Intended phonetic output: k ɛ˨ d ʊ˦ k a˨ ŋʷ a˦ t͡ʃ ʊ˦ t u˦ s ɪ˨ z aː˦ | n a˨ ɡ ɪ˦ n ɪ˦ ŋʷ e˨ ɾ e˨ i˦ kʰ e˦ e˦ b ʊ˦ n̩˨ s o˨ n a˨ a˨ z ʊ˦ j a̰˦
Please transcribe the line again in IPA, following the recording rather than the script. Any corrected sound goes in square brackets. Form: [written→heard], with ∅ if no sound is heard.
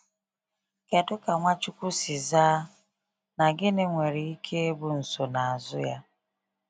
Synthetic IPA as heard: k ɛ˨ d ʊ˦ k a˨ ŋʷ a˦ t͡ʃ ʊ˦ [t→k] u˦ s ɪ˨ z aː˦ | n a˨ ɡ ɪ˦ n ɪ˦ ŋʷ e˨ ɾ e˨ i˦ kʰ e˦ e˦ b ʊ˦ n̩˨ s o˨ n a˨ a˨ z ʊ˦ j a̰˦